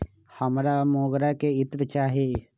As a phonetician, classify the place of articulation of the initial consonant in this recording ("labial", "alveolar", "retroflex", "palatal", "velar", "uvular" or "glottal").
glottal